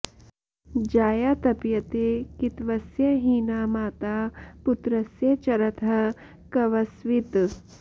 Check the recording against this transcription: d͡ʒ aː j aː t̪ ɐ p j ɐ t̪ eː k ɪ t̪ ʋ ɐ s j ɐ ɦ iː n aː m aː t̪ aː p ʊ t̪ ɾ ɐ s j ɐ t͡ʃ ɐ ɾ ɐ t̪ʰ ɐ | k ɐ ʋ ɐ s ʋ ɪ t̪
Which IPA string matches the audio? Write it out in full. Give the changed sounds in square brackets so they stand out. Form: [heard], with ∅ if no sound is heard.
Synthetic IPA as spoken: d͡ʒ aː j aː t̪ ɐ p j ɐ t̪ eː k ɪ t̪ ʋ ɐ s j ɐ ɦ iː n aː m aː t̪ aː p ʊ t̪ ɾ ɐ s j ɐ t͡ʃ ɐ ɾ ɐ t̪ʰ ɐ | k ɐ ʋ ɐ s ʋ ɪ t̪